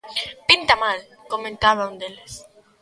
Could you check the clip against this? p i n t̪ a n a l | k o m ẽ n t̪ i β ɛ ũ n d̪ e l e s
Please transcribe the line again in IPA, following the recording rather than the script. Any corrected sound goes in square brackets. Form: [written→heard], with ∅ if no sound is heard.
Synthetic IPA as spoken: p i n t̪ a [n→m] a l | k o m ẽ n t̪ [i→a] β [ɛ→a] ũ n d̪ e l e s